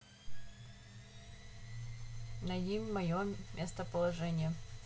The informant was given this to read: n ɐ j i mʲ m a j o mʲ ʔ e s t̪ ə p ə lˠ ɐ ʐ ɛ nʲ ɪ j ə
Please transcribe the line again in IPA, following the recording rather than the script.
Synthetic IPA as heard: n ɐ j i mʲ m ɐ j o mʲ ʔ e s t̪ ə p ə lˠ ɐ ʐ ɛ nʲ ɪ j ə